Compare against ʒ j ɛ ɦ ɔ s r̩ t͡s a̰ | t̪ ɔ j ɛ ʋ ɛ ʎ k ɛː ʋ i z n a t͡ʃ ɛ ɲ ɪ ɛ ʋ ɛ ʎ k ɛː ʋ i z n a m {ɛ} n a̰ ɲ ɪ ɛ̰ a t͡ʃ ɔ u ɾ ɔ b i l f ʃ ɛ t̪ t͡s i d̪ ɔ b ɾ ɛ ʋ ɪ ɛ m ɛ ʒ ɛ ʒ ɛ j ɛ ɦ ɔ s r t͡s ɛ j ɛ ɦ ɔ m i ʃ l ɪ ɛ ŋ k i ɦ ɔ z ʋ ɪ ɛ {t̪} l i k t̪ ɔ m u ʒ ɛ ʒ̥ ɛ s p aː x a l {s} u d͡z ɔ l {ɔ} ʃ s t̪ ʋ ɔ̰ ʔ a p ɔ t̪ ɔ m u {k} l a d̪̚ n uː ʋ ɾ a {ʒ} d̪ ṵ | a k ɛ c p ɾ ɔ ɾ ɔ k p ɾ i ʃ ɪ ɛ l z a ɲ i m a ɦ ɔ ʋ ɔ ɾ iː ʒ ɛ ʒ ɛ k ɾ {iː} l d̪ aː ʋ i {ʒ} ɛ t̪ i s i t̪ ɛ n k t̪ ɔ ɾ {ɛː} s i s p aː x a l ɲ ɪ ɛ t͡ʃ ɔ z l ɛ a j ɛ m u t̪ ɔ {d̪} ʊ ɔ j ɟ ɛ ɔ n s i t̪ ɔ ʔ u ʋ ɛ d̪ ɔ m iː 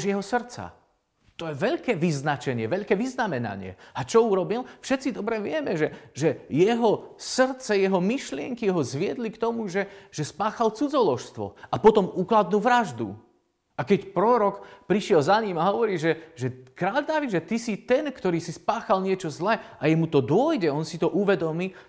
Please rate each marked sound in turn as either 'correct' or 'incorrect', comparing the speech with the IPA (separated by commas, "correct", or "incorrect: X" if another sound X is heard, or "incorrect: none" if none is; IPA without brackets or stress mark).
correct, incorrect: d̪, incorrect: t͡s, correct, correct, correct, incorrect: aː, correct, incorrect: iː, correct